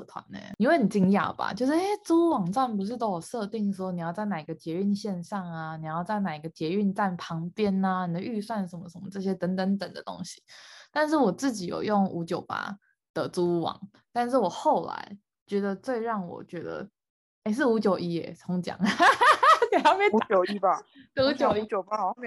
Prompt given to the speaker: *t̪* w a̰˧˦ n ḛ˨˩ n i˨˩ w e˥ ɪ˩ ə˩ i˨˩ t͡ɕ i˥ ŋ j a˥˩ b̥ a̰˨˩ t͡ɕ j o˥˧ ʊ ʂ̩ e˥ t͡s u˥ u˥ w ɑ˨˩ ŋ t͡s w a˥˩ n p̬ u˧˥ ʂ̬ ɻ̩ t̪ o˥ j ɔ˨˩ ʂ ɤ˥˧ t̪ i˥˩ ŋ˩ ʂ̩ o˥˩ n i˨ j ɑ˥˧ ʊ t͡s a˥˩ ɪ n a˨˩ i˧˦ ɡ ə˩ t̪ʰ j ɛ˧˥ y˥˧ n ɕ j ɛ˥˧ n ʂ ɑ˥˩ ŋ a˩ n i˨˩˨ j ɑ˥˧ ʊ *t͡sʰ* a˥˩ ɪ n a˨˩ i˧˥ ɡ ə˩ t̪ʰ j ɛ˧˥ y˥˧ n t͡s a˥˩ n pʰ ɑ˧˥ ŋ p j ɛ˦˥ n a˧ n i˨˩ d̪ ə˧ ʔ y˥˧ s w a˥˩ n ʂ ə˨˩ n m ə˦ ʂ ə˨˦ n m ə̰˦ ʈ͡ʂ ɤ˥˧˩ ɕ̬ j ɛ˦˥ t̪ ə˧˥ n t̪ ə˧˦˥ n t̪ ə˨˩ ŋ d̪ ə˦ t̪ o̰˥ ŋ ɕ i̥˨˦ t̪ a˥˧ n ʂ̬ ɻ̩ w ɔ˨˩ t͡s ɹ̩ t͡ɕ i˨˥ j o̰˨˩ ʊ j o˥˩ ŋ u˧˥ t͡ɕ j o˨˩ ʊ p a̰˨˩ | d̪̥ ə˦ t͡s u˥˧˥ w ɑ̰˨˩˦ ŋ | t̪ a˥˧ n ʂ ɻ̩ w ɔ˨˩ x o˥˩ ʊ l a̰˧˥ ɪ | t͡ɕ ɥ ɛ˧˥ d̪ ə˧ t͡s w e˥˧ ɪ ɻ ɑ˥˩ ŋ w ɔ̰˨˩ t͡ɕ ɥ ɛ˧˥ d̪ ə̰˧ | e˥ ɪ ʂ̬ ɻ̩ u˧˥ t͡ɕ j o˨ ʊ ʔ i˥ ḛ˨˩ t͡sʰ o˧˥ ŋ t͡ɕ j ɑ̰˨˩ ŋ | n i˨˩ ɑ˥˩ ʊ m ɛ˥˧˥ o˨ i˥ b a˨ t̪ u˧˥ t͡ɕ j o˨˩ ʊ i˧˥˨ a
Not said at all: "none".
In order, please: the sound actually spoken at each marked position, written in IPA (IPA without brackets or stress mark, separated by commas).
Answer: t̪ʰ, t͡s